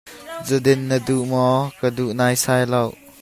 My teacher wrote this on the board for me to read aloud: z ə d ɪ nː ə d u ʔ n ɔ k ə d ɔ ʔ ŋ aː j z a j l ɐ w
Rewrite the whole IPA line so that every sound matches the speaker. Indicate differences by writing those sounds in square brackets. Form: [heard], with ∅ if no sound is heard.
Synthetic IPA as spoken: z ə d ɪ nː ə d u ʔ [m] ɔ k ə d [u] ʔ [n] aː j [s] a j l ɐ w